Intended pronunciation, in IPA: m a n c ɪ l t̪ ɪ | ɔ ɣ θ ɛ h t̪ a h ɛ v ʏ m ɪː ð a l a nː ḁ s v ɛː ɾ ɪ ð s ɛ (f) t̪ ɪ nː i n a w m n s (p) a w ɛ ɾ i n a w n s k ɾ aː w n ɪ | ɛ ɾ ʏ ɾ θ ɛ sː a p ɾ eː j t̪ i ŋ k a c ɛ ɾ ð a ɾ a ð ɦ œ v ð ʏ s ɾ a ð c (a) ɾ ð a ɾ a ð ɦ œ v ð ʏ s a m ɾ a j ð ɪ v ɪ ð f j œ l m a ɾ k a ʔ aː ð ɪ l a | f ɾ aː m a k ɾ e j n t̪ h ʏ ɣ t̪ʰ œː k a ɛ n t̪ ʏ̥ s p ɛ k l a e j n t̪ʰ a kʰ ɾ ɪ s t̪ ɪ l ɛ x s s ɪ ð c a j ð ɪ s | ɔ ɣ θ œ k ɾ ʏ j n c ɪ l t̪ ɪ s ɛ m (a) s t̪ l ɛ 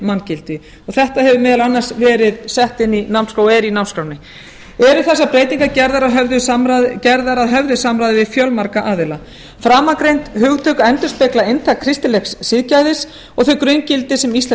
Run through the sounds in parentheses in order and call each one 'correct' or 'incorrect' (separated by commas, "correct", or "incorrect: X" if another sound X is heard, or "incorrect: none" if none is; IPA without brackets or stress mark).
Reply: incorrect: h, incorrect: k, incorrect: ɛ, incorrect: i